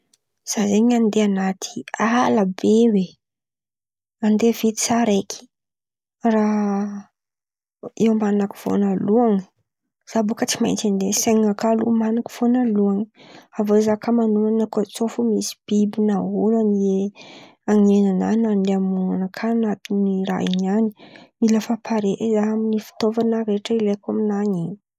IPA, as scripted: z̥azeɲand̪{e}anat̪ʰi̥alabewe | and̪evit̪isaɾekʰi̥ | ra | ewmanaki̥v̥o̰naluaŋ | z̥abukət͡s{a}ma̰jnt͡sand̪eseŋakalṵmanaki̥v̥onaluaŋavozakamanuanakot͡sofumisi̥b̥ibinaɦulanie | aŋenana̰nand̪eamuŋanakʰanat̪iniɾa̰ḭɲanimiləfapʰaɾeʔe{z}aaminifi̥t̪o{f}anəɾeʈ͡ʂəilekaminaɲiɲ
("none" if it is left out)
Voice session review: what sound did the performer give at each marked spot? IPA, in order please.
e, i, z, v

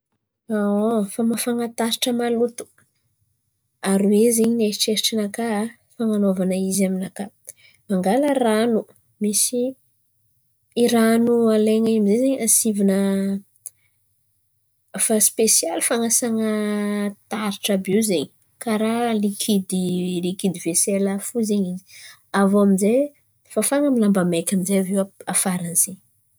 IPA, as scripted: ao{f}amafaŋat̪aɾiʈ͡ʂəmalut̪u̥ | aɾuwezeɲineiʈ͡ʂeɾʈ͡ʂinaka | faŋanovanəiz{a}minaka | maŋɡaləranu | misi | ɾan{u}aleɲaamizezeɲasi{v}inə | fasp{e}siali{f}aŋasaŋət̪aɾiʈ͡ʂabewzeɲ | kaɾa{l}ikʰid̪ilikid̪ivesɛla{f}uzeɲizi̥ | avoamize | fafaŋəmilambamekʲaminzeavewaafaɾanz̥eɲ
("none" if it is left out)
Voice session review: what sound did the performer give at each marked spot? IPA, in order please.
f, a, u, v, e, f, l, f

